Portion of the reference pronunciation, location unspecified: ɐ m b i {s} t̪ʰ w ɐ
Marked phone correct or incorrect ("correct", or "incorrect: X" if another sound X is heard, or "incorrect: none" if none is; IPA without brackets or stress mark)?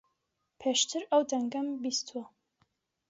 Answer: correct